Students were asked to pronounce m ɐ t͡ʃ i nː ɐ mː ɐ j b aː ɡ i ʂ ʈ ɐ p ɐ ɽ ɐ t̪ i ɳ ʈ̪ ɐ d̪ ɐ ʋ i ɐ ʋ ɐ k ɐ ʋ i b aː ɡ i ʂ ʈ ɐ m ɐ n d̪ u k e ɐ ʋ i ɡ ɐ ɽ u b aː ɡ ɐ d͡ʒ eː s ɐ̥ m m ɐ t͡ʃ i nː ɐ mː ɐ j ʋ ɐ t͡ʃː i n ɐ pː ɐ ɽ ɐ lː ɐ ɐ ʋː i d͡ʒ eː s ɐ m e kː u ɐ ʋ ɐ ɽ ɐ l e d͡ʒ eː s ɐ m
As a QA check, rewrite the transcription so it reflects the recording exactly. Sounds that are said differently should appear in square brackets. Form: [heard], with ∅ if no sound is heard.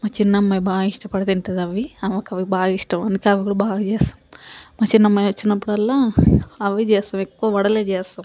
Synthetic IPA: m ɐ t͡ʃ i nː ɐ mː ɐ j b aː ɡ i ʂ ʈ ɐ p ɐ ɽ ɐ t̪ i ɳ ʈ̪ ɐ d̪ ɐ ʋ i ɐ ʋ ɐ k ɐ ʋ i b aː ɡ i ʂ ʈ ɐ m ɐ n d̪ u k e ɐ ʋ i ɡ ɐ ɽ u b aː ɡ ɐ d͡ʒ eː s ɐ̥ m m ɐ t͡ʃ i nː ɐ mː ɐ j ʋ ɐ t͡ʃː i n ɐ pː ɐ ɽ ɐ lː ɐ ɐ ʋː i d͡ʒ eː s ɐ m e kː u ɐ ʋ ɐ ɽ ɐ l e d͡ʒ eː s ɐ m